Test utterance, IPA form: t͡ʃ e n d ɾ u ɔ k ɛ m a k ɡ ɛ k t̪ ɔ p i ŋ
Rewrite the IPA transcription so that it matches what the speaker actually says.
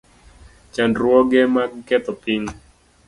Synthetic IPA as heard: t͡ʃ a n d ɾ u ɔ ɡ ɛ m a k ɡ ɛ t̪ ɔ p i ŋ